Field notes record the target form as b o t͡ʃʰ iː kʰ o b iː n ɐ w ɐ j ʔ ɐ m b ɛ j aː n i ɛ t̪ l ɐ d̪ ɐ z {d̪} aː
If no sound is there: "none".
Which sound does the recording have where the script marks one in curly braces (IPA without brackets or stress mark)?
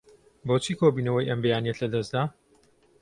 d̪